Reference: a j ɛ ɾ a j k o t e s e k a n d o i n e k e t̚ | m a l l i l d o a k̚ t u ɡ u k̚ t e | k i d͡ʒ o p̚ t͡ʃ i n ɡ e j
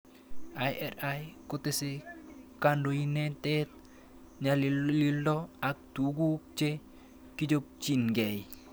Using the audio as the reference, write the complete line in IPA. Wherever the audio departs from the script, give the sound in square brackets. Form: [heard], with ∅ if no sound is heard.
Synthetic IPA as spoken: a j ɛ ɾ a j k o t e s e k a n d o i n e [t] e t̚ | [ɲ] a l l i l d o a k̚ t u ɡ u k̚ [t͡ʃ] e | k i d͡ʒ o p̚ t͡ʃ i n ɡ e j